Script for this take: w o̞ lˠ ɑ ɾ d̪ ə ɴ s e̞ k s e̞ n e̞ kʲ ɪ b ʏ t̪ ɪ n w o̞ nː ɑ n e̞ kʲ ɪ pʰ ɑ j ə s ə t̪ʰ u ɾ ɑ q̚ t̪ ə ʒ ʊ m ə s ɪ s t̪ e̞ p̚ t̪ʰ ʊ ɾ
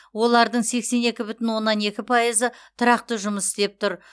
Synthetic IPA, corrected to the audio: w o̞ lˠ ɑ ɾ d̪ ə ɴ s e̞ k s e̞ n e̞ kʲ ɪ b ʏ t̪ ɪ n w o̞ nː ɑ n e̞ kʲ ɪ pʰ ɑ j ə z ə t̪ʰ ʊ ɾ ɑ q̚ t̪ ə ʒ ʊ m ə s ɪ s t̪ e̞ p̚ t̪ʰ ʊ ɾ